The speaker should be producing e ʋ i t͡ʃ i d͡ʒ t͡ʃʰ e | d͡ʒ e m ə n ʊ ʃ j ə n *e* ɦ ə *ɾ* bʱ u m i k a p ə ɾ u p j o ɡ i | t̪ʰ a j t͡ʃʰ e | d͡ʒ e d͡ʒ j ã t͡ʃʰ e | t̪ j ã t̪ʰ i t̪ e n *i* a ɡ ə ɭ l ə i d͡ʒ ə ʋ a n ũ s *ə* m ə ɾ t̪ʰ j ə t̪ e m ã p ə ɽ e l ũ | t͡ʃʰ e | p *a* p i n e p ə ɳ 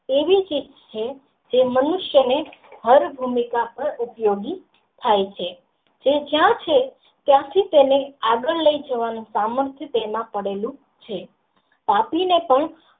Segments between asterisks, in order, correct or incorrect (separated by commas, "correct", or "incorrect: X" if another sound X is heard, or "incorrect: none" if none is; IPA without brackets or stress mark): correct, correct, incorrect: e, incorrect: a, correct